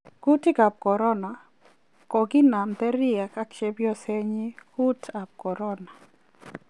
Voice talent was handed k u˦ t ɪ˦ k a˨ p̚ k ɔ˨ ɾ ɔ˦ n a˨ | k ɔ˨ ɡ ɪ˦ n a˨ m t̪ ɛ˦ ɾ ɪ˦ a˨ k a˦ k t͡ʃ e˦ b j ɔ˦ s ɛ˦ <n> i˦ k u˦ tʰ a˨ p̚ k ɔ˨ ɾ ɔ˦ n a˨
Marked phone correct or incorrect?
incorrect